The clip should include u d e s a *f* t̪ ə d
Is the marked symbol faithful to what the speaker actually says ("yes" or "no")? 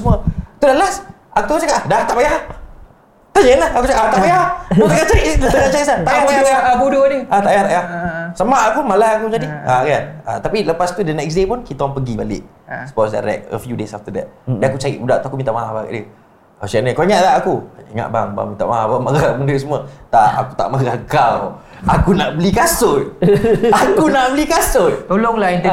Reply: yes